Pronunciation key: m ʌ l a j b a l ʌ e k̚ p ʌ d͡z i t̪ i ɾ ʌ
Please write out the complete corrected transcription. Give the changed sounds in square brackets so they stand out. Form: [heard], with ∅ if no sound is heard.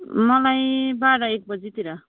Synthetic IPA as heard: m ʌ l a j b a [ɽ] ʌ e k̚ [b] ʌ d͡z i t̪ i ɾ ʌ